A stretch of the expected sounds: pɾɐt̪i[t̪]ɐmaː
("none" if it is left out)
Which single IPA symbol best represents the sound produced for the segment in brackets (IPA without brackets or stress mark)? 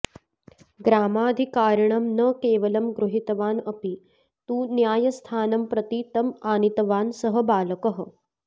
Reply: t̪